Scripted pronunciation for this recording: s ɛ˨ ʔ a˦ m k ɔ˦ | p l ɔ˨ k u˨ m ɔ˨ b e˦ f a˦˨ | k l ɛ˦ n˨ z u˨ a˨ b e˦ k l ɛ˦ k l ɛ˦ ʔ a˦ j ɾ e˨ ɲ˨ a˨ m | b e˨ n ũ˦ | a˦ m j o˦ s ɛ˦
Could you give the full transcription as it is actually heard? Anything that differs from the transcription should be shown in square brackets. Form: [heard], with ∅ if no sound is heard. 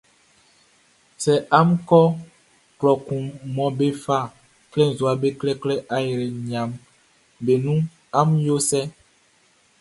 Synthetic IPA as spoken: s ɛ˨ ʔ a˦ m k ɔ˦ | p l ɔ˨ k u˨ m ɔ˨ b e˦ f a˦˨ | k l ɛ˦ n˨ z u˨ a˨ b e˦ k l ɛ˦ k l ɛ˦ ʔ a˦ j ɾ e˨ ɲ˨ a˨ m | b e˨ n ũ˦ | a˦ m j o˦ s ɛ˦